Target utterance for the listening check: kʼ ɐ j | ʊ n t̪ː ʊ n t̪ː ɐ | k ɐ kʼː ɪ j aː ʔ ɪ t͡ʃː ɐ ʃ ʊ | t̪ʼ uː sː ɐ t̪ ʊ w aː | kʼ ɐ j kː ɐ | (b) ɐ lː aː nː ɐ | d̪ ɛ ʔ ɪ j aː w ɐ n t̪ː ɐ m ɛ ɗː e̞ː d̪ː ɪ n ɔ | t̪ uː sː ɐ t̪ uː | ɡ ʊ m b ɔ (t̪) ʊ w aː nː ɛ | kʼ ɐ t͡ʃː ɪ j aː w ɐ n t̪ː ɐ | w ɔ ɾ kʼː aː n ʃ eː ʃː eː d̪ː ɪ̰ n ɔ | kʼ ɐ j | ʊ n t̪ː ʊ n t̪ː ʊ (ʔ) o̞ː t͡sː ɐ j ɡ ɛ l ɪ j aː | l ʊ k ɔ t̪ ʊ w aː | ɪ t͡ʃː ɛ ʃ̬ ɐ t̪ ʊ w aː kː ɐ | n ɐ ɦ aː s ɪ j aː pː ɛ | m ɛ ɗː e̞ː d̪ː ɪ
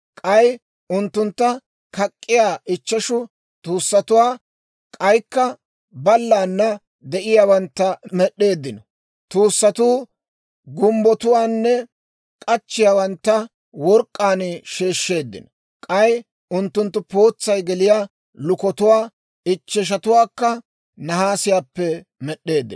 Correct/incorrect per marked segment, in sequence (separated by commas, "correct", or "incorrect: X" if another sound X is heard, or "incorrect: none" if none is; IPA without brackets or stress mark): correct, correct, incorrect: p